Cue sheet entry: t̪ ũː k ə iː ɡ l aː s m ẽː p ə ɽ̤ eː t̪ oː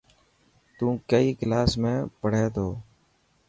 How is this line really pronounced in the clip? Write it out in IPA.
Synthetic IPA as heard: t̪ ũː k ə iː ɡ l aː s m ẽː p ə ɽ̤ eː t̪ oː